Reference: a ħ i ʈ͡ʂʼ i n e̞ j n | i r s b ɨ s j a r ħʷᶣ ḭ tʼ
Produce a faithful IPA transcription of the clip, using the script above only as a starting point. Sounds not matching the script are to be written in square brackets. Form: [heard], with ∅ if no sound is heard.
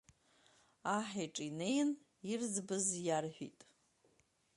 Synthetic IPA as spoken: a ħ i ʈ͡ʂʼ i n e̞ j n | i r [z] b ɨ [z] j a r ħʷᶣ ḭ tʼ